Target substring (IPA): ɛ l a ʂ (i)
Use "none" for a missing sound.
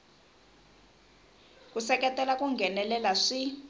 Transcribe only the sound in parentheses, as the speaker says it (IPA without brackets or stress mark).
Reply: i